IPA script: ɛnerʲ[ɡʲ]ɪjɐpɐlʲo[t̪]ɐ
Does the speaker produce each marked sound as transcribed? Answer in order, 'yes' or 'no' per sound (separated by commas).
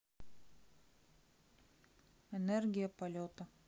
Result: yes, yes